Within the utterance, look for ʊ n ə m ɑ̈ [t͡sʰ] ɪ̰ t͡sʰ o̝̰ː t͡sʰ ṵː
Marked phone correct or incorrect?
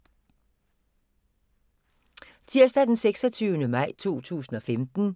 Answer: incorrect